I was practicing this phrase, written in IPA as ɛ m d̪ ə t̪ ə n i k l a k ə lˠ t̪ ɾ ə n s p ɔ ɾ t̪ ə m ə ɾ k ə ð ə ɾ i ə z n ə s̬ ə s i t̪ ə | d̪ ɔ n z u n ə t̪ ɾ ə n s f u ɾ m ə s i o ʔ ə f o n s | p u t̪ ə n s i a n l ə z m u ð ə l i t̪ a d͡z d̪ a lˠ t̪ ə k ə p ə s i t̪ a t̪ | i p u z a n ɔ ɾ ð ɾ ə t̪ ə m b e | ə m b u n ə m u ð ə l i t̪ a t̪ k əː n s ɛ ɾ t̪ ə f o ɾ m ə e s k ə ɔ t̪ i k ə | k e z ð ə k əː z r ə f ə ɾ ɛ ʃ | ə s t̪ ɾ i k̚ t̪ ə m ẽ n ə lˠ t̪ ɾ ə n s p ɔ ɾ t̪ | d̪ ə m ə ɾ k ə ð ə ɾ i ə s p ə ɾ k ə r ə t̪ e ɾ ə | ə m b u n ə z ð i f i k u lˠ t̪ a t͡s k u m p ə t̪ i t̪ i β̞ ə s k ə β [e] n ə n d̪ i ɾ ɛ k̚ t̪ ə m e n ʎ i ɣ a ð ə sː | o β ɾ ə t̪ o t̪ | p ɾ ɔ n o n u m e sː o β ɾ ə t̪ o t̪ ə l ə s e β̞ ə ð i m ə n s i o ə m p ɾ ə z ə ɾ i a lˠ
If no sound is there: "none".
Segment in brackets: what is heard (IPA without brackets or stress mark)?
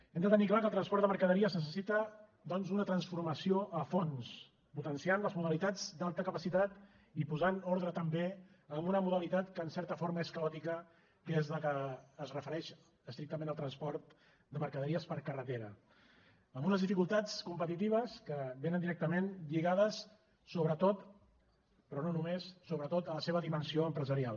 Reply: e